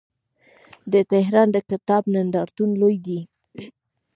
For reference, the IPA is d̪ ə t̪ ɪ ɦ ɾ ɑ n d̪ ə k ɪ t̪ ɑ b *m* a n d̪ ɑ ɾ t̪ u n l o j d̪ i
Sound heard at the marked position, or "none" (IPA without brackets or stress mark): n